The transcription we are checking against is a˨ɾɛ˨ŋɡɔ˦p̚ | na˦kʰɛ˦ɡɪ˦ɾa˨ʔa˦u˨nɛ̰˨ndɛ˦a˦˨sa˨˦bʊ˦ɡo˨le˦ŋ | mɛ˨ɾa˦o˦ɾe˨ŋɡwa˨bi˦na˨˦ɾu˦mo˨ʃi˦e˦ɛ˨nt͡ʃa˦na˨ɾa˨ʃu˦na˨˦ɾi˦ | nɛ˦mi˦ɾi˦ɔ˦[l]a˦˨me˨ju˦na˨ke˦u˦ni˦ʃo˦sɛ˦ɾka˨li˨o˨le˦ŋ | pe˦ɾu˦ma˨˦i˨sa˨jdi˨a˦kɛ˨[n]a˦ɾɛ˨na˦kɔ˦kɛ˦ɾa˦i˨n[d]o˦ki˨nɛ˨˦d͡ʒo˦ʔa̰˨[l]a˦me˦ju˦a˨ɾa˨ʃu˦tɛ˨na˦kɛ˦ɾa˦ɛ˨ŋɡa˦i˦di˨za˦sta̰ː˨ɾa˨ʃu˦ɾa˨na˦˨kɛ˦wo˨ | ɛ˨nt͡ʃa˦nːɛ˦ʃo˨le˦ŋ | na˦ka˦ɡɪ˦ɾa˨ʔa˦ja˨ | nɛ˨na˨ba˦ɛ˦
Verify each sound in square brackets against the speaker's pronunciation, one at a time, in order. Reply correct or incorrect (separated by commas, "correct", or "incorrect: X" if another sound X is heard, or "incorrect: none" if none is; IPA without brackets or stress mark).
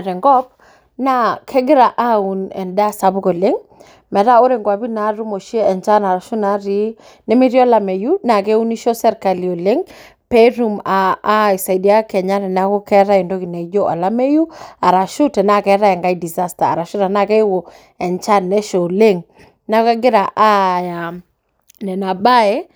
correct, incorrect: ɲ, correct, correct